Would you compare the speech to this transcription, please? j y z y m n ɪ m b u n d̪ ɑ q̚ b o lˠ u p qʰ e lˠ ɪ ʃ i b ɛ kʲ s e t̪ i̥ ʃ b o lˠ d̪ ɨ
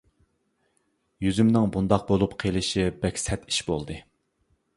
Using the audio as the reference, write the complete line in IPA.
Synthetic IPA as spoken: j y z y m n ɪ ŋ b u n d̪ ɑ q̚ b o lˠ u p qʰ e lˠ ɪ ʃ i b ɛ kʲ s ɛ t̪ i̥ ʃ b o lˠ d̪ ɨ